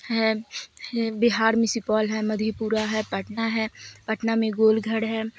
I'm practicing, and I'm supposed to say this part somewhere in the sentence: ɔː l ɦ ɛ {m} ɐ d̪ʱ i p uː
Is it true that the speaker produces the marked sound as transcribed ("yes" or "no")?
yes